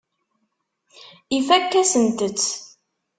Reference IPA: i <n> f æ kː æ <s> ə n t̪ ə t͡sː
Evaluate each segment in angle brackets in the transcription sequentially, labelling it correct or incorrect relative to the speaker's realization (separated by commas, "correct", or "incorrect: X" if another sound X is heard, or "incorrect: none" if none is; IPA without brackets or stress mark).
incorrect: none, correct